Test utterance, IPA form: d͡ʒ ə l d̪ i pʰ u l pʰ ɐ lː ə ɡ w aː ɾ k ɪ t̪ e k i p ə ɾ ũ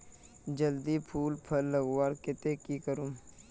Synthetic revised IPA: d͡ʒ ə l d̪ i pʰ uː l pʰ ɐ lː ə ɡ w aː ɾ k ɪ t̪ e k i k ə ɾ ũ

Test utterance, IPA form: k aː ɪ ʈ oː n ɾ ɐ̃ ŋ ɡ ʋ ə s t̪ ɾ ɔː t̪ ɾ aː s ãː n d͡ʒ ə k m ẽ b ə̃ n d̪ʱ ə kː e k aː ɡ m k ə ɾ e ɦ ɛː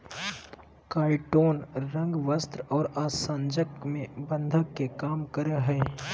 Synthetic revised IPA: k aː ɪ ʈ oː n ɾ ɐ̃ ŋ ɡ ʋ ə s t̪ ɾ ɔː ɾ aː s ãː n d͡ʒ ə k m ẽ b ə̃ n d̪ʱ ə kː e k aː m k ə ɾ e ɦ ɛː

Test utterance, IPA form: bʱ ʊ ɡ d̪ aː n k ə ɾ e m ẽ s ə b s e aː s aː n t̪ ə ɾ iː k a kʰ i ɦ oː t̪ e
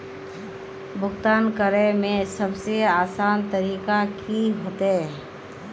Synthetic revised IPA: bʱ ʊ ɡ t̪ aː n k ə ɾ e m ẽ s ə b s e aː s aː n t̪ ə ɾ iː k a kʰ i ɦ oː t̪ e

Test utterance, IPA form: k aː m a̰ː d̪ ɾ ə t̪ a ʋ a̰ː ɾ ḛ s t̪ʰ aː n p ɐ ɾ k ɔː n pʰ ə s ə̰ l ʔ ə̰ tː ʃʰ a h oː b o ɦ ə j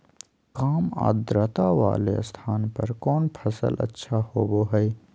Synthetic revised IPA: k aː m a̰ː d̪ ɾ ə t̪ a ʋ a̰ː l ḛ s t̪ʰ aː n p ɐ ɾ k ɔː n pʰ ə s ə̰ l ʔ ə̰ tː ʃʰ a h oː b o ɦ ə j

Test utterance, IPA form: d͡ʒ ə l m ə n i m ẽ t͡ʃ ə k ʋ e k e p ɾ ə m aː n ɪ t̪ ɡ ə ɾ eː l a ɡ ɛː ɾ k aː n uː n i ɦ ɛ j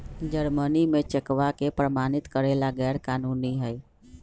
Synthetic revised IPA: d͡ʒ ə ɾ m ə n i m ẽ t͡ʃ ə k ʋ a k e p ɾ ə m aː n ɪ t̪ k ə ɾ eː l a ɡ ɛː ɾ k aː n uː n i ɦ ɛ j

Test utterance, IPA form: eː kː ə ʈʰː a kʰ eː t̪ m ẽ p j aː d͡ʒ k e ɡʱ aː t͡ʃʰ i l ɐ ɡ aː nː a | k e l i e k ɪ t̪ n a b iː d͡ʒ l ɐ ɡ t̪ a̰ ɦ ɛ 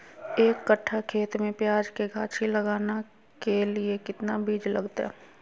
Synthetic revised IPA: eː kː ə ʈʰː a kʰ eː t̪ m ẽ p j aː d͡ʒ k e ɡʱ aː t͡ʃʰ i l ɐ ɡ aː n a | k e l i e k ɪ t̪ n a b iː d͡ʒ l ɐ ɡ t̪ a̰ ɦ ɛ

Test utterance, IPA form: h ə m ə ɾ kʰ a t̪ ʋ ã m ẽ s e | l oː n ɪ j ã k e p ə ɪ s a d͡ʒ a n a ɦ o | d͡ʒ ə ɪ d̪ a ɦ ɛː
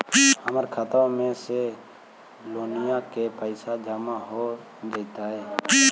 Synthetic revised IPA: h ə m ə ɾ kʰ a t̪ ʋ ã m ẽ s e | l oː n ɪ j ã k e p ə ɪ s a d͡ʒ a m a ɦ o | d͡ʒ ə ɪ t̪ a ɦ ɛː

